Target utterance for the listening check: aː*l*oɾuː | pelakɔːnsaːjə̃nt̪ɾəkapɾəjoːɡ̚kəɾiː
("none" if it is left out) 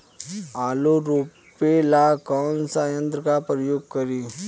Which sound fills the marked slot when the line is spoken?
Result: l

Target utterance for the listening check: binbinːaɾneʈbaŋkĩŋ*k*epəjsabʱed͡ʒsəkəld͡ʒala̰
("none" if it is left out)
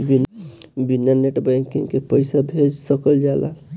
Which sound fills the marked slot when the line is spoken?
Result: k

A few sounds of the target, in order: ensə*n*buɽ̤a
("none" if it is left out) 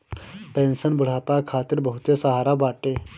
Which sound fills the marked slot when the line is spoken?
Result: n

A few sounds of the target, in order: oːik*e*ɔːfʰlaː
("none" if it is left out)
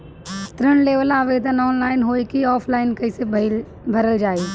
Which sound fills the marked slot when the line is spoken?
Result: i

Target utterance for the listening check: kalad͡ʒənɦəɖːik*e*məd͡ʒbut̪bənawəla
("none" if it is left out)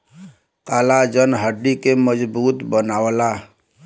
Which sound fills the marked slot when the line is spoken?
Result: e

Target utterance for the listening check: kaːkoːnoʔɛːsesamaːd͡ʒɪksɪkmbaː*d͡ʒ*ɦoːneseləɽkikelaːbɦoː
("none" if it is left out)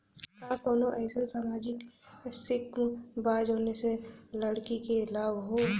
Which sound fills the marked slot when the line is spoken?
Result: d͡ʒ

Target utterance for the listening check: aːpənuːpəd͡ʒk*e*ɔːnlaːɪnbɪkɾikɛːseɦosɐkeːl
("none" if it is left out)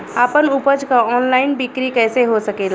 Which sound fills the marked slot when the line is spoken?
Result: a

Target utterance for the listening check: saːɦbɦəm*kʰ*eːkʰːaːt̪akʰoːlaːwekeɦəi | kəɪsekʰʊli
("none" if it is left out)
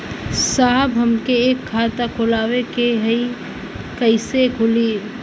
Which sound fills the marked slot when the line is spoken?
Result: k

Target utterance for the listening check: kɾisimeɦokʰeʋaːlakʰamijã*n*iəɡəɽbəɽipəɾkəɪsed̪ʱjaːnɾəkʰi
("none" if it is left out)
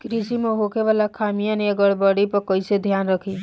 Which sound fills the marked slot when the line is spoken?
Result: n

